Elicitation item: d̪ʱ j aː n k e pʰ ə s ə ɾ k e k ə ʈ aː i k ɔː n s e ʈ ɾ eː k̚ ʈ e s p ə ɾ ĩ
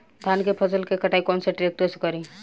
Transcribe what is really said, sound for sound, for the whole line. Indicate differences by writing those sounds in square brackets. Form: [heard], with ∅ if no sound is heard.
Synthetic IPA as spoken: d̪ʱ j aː n k e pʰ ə s ə [l] k e k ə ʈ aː i k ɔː n s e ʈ ɾ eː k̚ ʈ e s [k] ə ɾ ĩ